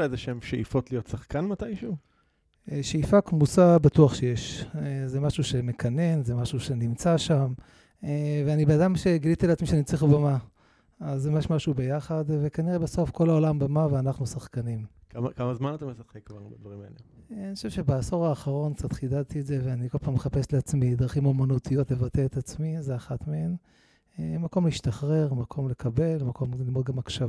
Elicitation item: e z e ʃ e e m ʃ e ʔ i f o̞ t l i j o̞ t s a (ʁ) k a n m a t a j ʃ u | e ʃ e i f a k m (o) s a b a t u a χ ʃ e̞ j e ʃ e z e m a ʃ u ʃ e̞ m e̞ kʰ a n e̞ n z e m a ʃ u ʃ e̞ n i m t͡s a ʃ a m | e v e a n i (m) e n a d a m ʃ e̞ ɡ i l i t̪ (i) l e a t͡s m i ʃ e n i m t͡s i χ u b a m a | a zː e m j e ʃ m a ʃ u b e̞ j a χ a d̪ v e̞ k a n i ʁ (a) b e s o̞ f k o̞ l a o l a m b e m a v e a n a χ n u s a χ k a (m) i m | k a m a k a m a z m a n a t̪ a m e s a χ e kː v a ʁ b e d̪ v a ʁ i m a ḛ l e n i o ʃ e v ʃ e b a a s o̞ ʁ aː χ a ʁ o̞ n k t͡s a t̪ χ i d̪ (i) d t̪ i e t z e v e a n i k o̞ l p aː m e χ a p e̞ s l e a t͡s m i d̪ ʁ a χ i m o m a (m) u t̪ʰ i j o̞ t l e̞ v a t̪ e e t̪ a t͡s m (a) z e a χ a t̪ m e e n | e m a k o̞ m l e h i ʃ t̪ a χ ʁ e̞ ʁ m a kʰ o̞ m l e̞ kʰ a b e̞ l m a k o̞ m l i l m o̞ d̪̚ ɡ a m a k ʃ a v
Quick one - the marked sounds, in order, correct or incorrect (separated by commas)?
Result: incorrect, incorrect, incorrect, correct, incorrect, incorrect, incorrect, incorrect, incorrect